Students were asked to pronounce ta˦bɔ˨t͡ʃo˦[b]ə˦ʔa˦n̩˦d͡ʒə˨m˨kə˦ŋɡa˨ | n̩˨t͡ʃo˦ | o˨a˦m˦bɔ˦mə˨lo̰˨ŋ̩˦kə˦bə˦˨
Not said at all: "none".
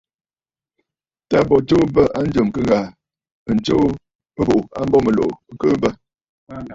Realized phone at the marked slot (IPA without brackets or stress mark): b